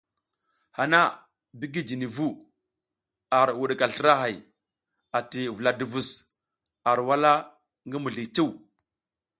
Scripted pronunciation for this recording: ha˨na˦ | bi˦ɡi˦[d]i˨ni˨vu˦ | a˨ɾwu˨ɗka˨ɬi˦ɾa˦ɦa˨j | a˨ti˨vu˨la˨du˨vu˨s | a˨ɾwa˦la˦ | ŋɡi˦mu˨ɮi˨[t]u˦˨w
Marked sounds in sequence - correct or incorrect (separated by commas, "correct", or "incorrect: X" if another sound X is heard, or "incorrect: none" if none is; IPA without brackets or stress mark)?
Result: incorrect: d͡ʒ, incorrect: t͡ʃ